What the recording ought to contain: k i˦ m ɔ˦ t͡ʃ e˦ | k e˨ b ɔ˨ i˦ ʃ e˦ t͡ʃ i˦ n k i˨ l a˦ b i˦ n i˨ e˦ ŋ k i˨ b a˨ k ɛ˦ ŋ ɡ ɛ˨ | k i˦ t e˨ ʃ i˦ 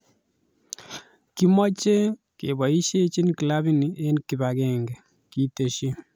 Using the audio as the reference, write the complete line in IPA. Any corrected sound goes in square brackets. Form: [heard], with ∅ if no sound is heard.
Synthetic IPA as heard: k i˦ m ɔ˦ t͡ʃ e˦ | k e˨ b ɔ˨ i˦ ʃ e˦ t͡ʃ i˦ n k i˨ l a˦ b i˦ n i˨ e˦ [n] k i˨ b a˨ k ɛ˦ ŋ ɡ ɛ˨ | k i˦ t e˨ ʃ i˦